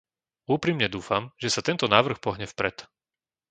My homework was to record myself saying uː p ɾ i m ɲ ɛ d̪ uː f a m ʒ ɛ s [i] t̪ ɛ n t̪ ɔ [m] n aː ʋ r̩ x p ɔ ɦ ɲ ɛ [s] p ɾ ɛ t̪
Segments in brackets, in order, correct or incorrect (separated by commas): incorrect, incorrect, incorrect